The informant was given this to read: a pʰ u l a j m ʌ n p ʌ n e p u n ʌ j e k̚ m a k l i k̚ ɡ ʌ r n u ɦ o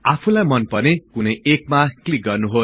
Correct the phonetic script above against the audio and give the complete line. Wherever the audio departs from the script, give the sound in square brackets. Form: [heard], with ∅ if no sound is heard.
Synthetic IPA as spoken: a pʰ u l a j m ʌ n p ʌ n e [k] u n ʌ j e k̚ m a k l i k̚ ɡ ʌ r n u ɦ o